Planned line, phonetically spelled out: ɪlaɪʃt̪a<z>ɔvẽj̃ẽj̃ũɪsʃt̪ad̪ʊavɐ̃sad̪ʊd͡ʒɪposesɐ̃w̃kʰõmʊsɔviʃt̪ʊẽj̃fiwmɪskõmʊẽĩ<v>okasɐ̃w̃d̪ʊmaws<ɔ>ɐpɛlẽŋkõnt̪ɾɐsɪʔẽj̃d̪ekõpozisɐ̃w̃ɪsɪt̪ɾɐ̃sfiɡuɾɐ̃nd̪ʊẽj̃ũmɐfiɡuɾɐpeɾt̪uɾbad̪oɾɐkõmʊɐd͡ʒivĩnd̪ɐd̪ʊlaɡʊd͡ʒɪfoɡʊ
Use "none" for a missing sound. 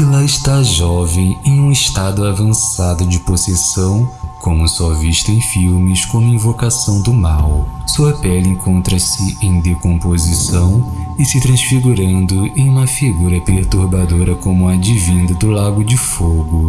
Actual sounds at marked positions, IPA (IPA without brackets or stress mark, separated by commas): ʒ, v, u